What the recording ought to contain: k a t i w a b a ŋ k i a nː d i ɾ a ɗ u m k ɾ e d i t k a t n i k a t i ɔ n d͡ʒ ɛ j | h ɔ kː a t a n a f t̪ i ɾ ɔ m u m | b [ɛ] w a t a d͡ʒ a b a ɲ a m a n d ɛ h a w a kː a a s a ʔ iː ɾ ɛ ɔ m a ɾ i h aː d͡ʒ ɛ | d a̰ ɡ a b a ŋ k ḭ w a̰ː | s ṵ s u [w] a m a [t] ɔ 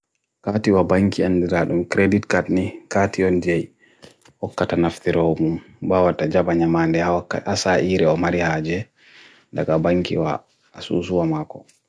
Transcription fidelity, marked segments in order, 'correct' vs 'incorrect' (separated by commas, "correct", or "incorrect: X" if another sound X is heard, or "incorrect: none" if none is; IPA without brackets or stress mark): incorrect: a, correct, incorrect: k